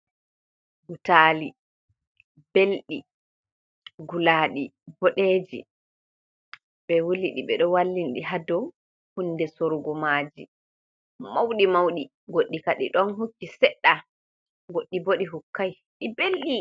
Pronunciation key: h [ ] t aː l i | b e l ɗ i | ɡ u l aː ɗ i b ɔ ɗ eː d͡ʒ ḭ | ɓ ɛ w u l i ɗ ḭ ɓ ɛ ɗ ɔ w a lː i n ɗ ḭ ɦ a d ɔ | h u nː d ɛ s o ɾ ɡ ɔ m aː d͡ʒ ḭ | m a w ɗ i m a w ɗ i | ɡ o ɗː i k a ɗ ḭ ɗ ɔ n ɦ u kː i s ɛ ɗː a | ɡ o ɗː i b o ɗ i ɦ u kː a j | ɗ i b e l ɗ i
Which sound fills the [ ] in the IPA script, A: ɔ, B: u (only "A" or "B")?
B